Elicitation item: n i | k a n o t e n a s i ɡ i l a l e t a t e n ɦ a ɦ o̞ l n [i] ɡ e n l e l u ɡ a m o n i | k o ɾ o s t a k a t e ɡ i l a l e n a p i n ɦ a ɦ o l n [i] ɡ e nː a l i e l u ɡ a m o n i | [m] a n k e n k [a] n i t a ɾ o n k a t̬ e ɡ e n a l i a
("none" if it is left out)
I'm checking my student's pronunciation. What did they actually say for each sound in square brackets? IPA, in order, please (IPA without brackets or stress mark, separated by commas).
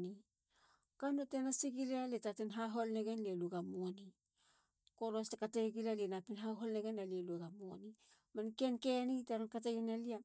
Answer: e, e, m, e